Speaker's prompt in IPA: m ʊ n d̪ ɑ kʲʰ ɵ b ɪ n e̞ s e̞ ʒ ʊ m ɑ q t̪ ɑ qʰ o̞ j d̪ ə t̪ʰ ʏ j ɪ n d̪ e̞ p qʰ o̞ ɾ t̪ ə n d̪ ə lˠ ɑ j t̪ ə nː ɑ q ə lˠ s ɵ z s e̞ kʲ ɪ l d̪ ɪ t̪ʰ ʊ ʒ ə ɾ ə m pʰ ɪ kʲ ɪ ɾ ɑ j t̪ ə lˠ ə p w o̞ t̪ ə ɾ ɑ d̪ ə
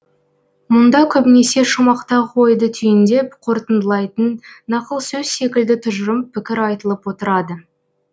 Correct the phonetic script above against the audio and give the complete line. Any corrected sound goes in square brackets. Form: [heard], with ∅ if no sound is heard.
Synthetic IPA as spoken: m ʊ n d̪ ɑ kʲʰ ɵ b ɪ n e̞ s e̞ [ʃ] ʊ m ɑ q t̪ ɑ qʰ o̞ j d̪ ə t̪ʰ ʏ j ɪ n d̪ e̞ p qʰ o̞ ɾ t̪ ə n d̪ ə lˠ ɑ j t̪ ə nː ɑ q ə lˠ s ɵ z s e̞ kʲ ɪ l d̪ ɪ t̪ʰ ʊ ʒ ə ɾ ə m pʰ ɪ kʲ ɪ ɾ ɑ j t̪ ə lˠ ə p w o̞ t̪ ə ɾ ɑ d̪ ə

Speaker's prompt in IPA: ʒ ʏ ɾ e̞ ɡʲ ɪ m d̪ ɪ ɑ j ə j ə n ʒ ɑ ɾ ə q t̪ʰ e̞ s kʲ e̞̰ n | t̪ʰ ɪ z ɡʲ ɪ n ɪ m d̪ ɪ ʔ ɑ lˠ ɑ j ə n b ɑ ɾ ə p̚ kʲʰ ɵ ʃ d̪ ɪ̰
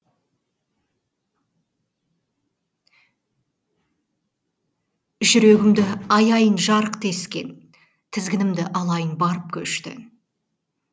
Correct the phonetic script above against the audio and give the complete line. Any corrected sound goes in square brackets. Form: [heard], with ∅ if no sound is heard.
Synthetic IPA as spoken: ʒ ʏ ɾ e̞ ɡʲ ɪ m d̪ ɪ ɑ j [ɑ] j ə n ʒ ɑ ɾ ə q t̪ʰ e̞ s kʲ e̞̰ n | t̪ʰ ɪ z ɡʲ ɪ n ɪ m d̪ ɪ ʔ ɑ lˠ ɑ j ə n b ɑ ɾ ə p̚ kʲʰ ɵ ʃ [t̪] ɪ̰

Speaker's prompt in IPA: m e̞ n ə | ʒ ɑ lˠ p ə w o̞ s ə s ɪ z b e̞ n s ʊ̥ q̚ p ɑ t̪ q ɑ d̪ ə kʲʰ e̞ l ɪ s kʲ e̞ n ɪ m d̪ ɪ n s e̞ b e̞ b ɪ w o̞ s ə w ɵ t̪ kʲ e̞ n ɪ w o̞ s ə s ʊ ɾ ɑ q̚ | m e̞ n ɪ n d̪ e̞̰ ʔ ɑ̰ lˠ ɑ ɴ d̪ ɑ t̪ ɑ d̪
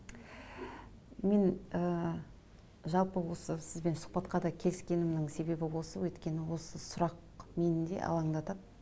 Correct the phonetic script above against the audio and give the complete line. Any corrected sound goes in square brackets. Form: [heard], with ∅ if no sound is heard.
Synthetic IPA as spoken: m e̞ n ə | ʒ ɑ lˠ p ə w o̞ s ə s ɪ z b e̞ n s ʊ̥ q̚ p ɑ t̪ q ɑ d̪ [ɑ] kʲʰ e̞ l ɪ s kʲ e̞ n ɪ m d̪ ɪ [ŋ] s e̞ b e̞ b ɪ w o̞ s ə w ɵ t̪ kʲ e̞ n ɪ w o̞ s ə s ʊ ɾ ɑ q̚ | m e̞ n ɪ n d̪ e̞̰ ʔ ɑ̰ lˠ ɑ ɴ d̪ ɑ t̪ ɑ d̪

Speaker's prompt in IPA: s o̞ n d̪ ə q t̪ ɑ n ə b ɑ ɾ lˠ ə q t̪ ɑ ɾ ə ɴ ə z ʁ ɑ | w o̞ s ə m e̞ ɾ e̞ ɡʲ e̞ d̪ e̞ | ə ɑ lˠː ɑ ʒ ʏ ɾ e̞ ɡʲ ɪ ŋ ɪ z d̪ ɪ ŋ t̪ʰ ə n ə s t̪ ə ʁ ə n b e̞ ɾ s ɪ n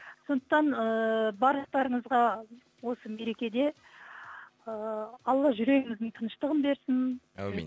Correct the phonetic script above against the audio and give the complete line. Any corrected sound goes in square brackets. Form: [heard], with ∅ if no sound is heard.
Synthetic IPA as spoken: s o̞ n d̪ ə q t̪ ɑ n ə b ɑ ɾ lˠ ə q t̪ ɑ ɾ ə ɴ ə z ʁ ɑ | w o̞ s ə m e̞ ɾ e̞ [kʲ] e̞ d̪ e̞ | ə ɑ lˠː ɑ ʒ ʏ ɾ e̞ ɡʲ ɪ ŋ ɪ z d̪ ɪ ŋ t̪ʰ ə n ə [ʃ] t̪ ə ʁ ə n b e̞ ɾ s ɪ n

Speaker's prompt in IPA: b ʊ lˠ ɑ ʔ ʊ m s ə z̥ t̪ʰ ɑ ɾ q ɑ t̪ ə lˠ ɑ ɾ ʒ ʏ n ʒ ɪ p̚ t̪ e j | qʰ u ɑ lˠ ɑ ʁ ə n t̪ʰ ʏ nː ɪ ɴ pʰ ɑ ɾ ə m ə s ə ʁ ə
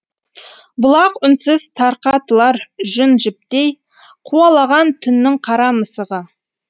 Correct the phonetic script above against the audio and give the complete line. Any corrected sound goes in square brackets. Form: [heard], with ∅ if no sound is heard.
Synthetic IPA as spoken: b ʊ lˠ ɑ [q] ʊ [n] s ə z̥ t̪ʰ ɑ ɾ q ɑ t̪ ə lˠ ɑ ɾ ʒ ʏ n ʒ ɪ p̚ t̪ e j | qʰ u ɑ lˠ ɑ ʁ [ɑ] n t̪ʰ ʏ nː ɪ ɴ [qʰ] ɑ ɾ [ɑ] m ə s ə ʁ ə

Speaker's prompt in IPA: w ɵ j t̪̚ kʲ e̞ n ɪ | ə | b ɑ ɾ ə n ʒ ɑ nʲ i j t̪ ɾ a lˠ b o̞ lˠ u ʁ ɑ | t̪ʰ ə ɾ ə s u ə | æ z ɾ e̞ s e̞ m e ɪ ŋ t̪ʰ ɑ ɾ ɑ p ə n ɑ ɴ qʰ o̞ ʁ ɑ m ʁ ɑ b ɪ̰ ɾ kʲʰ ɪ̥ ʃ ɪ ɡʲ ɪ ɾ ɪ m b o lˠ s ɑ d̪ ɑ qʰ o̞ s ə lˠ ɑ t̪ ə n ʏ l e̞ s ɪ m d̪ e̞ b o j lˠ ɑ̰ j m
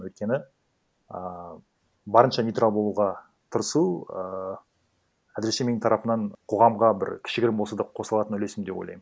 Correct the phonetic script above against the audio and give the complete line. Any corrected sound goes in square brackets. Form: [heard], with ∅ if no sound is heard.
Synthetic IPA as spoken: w ɵ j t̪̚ kʲ e̞ n ɪ | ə | b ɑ ɾ ə n [ʃ] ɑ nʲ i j t̪ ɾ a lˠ b o̞ lˠ u ʁ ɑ | t̪ʰ ə ɾ ə s u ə | æ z ɾ e̞ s e̞ m e ɪ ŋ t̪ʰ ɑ ɾ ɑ p ə n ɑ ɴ qʰ o̞ ʁ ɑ m ʁ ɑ b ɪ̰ ɾ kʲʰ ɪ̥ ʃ ɪ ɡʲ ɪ ɾ ɪ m b o lˠ s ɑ d̪ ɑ qʰ o̞ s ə lˠ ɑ t̪ ə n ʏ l e̞ s ɪ m d̪ e̞ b o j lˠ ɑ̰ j m

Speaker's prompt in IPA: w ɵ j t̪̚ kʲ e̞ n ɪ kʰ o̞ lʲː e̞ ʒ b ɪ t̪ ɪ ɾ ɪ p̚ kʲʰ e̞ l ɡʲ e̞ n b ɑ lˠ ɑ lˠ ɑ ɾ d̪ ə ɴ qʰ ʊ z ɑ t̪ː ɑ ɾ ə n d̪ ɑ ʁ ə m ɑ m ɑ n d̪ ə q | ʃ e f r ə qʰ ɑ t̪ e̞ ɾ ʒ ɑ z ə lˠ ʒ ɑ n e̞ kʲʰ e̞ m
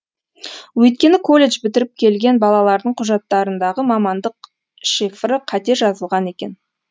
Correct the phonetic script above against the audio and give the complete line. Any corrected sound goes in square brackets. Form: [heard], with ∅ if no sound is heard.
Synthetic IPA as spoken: w ɵ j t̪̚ kʲ e̞ n ɪ kʰ o̞ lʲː e̞ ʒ b ɪ t̪ ɪ ɾ ɪ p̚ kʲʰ e̞ l ɡʲ e̞ n b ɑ lˠ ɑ lˠ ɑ ɾ d̪ ə ɴ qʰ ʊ [ʒ] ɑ t̪ː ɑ ɾ ə n d̪ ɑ ʁ ə m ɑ m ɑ n d̪ ə q | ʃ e f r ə qʰ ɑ t̪ e̞ ɾ ʒ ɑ z ə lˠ [ʁ] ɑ n e̞ [kʲ] e̞ [n]

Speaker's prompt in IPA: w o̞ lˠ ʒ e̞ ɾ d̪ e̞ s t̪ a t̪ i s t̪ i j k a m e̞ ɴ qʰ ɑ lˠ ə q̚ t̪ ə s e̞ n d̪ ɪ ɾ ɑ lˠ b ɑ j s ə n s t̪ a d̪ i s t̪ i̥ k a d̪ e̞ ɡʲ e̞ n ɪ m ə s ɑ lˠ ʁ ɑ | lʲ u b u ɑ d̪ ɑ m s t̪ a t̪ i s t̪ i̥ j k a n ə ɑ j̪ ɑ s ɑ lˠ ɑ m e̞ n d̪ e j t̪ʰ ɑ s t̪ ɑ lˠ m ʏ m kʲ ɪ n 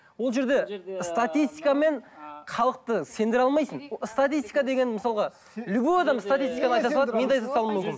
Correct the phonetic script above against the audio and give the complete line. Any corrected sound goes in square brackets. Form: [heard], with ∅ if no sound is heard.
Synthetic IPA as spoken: w o̞ lˠ ʒ e̞ ɾ d̪ e̞ s t̪ a t̪ i s t̪ i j k a m e̞ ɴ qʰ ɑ lˠ ə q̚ t̪ ə s e̞ n d̪ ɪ ɾ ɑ lˠ [m] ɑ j s ə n s t̪ a [t̪] i s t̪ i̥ k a d̪ e̞ ɡʲ e̞ n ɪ m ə s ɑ lˠ ʁ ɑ | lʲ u b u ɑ d̪ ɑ m s t̪ a t̪ i s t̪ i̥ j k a n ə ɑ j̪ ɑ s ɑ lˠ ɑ m e̞ n d̪ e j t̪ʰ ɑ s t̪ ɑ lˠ m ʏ m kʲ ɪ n

